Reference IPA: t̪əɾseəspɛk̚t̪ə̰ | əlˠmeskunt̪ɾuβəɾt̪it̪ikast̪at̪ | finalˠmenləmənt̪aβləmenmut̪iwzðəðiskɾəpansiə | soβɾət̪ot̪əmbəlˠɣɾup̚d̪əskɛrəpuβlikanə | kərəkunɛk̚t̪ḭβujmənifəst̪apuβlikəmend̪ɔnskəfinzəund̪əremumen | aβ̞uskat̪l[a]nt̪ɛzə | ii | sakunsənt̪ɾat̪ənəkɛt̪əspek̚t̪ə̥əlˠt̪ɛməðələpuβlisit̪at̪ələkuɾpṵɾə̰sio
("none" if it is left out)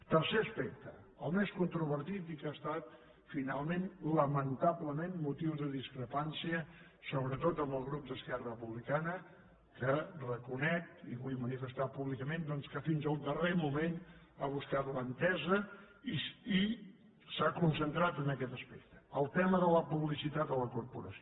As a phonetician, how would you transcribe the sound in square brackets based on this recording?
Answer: ə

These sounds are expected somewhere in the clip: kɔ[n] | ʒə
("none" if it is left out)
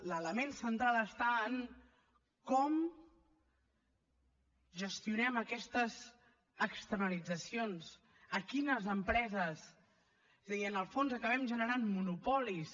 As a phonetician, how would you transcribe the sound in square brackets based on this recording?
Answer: m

